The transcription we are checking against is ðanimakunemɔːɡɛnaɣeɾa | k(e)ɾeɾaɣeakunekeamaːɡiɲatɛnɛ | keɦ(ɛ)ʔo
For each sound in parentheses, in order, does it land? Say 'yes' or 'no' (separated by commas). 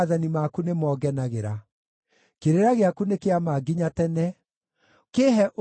yes, yes